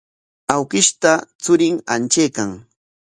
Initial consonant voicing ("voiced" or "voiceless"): voiced